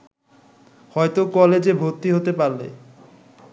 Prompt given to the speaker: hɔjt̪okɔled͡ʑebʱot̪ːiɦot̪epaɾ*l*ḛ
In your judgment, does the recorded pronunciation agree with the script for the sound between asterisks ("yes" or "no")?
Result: yes